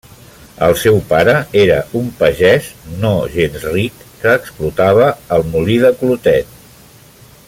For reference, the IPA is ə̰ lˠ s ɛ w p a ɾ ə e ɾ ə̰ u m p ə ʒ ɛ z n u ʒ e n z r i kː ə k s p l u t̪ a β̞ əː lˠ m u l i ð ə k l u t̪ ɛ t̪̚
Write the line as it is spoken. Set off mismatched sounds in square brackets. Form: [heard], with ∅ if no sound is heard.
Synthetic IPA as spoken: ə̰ lˠ s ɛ w p a ɾ ə e ɾ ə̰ u m p ə ʒ ɛ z n [o] ʒ e n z r i kː [əː] k s p l u t̪ a β̞ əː lˠ m u l i ð ə k l u t̪ ɛ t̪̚